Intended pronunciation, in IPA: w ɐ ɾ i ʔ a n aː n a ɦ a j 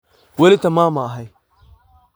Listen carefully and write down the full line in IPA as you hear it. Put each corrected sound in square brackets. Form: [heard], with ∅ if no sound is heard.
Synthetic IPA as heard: w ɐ [l] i [t] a [m] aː [m] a ɦ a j